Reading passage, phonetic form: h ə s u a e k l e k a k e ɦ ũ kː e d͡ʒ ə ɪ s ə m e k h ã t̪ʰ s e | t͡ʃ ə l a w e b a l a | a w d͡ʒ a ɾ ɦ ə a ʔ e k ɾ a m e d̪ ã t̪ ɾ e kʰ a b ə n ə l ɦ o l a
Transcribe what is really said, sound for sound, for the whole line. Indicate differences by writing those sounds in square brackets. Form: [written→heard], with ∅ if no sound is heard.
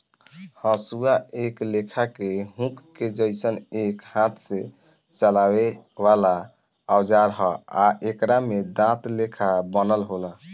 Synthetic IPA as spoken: h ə s u a e k l e [k→kʰ] a k e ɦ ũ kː e d͡ʒ ə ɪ s ə [m→n] e k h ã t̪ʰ s e | t͡ʃ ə l a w e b a l a | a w d͡ʒ a ɾ ɦ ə a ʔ e k ɾ a m e d̪ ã t̪ [ɾ→l] e kʰ a b ə n ə l ɦ o l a